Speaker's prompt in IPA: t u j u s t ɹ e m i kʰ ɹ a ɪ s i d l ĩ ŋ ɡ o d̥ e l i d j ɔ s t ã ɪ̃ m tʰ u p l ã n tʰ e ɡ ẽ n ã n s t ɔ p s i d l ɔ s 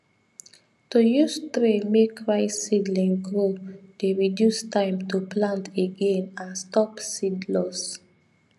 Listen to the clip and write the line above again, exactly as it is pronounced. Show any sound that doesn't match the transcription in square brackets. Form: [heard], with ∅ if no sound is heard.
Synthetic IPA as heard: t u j u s t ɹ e m [e] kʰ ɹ a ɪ s i d l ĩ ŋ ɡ o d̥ e [ɹ] i d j [u] s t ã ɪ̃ m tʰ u p l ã n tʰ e ɡ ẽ n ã n s t ɔ p s i d l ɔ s